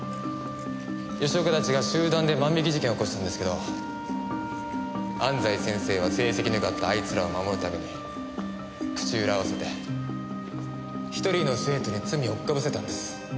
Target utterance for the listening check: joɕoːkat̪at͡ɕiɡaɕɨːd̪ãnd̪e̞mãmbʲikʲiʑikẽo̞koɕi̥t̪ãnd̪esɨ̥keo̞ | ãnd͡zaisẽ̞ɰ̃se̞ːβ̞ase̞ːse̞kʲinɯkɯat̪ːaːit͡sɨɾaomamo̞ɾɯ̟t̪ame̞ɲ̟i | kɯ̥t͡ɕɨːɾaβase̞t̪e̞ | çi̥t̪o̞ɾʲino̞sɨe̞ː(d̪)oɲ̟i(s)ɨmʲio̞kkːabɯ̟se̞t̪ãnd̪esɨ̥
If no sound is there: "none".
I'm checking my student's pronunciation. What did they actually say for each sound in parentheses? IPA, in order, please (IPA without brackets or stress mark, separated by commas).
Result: t̪, t͡s